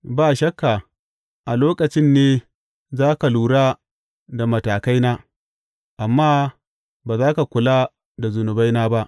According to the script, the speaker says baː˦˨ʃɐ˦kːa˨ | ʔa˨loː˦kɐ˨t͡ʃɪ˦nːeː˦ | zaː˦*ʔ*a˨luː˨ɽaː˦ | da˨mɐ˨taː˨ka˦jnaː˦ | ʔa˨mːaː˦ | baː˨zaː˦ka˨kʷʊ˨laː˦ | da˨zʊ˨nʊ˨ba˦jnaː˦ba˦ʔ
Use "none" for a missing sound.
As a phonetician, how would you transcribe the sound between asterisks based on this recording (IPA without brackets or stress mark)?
k